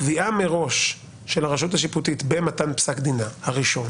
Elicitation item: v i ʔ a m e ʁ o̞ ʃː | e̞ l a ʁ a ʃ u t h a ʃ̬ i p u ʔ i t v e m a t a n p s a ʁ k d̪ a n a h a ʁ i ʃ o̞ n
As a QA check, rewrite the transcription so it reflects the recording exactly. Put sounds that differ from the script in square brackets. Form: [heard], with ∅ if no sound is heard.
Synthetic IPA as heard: v i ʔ a m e ʁ o̞ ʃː | e̞ l a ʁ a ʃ u t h a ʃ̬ i p u [t] i t [b] e m a t a n p s a [∅] k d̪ [i] n a h a ʁ i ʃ o̞ n